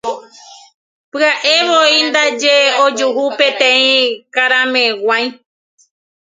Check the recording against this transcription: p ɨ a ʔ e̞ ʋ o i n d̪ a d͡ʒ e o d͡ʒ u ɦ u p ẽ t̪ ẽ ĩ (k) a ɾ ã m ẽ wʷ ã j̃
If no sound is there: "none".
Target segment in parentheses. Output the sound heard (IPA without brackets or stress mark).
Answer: k